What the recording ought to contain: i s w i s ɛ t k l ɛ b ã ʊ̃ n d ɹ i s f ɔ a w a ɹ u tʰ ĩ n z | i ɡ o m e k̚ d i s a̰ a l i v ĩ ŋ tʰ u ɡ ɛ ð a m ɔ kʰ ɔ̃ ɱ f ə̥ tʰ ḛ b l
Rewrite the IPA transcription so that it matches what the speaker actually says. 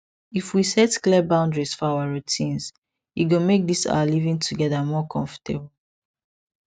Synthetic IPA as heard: i f w i s ɛ t k l ɛ b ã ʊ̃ n d ɹ i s f ɔ a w a ɹ u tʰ ĩ n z | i ɡ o m e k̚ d i s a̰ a l i v ĩ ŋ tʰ u ɡ ɛ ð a m ɔ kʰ ɔ̃ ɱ f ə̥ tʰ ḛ b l